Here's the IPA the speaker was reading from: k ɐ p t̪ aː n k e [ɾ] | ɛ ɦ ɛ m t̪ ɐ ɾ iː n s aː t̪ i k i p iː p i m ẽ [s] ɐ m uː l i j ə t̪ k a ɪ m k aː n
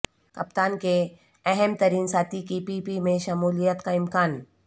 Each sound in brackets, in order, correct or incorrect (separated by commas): incorrect, incorrect